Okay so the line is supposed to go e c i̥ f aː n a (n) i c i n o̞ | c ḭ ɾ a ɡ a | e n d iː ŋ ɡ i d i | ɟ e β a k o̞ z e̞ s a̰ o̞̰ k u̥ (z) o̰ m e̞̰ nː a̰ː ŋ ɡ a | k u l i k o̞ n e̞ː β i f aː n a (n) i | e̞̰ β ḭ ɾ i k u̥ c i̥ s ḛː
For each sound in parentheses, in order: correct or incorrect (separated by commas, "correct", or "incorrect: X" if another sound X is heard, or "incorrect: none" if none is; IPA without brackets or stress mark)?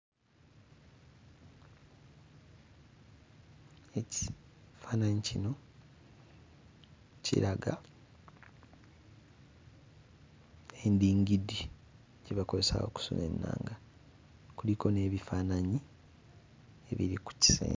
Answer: incorrect: ɲ, incorrect: s, incorrect: ɲ